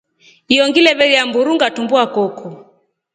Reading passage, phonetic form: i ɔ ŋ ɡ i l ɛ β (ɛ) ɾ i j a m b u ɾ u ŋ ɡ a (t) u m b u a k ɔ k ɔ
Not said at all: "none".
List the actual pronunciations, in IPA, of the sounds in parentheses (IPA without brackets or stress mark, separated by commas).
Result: ɛ, t